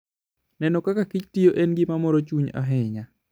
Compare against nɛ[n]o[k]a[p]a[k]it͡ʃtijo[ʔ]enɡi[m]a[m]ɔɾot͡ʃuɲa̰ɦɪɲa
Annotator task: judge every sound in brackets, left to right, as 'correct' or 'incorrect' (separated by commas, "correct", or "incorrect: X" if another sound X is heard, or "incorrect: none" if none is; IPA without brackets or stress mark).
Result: correct, correct, incorrect: k, correct, correct, correct, correct